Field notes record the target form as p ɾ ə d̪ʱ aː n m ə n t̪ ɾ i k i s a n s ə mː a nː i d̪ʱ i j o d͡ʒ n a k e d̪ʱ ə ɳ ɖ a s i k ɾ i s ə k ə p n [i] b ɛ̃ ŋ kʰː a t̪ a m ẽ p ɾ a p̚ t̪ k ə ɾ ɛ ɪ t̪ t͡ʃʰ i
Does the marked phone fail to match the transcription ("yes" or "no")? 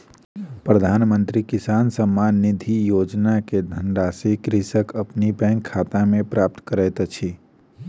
no